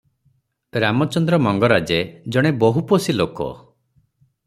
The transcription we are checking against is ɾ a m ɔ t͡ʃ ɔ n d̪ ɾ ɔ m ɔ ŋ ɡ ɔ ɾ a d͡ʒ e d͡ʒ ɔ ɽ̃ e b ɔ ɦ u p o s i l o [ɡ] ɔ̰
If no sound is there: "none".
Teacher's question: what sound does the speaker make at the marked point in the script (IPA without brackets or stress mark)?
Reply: k